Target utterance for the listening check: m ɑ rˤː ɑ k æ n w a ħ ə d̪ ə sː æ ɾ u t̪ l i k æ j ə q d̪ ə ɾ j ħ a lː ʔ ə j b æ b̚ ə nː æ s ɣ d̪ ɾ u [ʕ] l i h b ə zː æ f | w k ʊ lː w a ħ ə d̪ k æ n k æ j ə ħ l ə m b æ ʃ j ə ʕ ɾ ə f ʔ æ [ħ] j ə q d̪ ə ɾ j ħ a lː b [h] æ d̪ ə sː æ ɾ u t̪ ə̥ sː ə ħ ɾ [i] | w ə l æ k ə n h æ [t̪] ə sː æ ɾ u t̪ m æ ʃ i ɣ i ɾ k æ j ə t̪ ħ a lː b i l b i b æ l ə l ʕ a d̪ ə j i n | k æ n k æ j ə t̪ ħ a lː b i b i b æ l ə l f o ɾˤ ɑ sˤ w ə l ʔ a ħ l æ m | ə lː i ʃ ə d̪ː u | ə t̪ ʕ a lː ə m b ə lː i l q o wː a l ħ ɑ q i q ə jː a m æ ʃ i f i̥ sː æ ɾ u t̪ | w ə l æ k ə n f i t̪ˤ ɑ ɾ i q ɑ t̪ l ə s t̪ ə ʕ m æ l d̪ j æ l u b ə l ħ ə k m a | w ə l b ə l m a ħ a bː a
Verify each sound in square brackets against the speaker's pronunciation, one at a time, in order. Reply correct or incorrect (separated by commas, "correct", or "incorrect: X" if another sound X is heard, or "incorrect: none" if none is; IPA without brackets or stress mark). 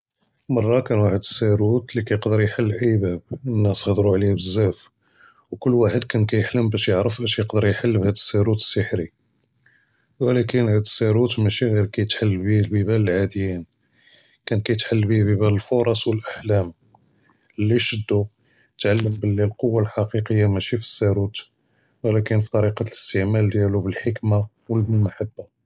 correct, incorrect: ʃ, correct, correct, incorrect: d̪